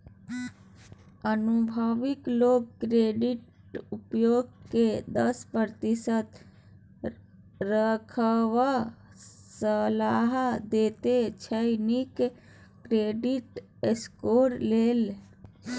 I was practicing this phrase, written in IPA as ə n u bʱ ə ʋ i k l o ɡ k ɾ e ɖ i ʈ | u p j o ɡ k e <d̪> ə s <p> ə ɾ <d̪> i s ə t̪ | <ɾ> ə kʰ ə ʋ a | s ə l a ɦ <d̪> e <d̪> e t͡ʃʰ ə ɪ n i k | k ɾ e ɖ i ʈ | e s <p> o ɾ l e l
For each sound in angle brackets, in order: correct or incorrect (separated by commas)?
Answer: correct, correct, incorrect, correct, correct, incorrect, incorrect